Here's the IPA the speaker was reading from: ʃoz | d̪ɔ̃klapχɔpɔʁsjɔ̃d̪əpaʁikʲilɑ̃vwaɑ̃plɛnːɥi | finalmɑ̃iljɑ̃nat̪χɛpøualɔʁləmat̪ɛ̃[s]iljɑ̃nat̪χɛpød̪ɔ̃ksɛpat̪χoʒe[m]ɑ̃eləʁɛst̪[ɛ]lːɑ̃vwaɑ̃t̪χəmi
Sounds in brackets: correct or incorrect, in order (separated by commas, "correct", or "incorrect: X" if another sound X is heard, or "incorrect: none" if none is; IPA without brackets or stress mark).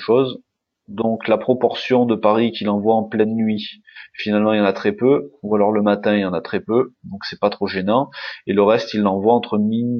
incorrect: none, incorrect: n, incorrect: i